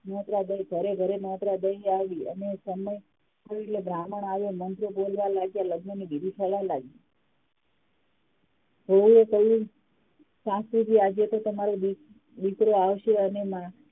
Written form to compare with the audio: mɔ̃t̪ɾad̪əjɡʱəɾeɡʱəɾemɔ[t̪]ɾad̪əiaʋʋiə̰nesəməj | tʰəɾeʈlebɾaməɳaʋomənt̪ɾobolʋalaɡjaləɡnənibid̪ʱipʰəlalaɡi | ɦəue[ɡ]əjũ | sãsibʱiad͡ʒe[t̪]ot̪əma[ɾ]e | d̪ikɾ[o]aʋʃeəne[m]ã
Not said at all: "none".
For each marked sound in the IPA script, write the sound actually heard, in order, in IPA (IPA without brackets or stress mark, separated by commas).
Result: t̪, k, t̪, ɾ, o, m